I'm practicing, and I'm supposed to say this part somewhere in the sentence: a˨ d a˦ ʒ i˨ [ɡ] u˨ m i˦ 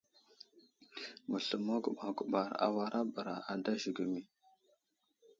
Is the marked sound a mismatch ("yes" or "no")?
no